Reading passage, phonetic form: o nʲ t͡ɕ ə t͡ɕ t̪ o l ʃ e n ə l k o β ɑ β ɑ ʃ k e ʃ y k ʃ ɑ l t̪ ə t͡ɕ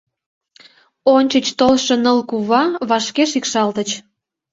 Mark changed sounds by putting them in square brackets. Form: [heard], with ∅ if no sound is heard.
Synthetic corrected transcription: o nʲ t͡ɕ ə t͡ɕ t̪ o l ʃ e n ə l k [u] β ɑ β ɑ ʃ k e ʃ [i] k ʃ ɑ l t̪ ə t͡ɕ